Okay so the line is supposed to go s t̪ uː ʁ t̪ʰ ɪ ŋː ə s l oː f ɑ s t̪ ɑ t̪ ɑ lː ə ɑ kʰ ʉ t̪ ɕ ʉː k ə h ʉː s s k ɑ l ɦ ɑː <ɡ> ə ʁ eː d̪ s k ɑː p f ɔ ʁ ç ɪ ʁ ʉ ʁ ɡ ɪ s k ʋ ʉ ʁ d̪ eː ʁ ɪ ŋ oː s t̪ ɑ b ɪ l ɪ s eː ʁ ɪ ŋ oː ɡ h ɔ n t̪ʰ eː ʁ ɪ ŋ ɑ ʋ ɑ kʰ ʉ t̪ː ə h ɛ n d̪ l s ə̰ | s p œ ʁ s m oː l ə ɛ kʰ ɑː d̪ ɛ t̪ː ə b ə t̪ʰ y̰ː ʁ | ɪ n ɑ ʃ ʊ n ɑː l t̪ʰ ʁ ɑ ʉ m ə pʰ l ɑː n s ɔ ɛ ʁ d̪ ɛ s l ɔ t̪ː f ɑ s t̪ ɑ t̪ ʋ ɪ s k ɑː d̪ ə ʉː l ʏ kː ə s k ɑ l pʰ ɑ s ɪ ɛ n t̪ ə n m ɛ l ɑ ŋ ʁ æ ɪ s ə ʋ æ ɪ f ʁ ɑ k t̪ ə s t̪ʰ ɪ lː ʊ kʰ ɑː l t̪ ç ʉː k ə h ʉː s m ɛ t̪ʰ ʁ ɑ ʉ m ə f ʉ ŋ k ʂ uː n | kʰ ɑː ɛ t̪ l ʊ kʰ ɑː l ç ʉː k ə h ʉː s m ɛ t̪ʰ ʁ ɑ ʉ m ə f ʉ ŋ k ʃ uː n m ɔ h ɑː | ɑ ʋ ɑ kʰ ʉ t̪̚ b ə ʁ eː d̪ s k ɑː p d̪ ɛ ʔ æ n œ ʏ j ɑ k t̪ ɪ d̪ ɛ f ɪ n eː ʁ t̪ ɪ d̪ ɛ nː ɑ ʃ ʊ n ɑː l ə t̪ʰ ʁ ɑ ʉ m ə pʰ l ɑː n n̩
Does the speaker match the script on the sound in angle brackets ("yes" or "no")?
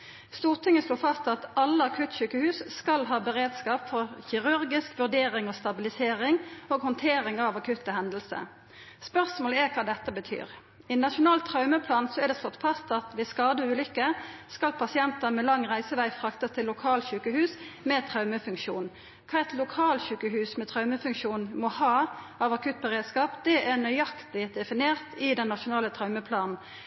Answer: no